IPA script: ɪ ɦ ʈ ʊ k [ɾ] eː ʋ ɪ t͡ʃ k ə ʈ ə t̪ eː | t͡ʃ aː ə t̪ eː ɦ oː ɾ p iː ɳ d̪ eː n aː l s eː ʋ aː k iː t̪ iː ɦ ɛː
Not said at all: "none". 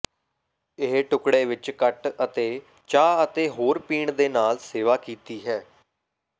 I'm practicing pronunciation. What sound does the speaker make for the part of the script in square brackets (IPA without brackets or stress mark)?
ɽ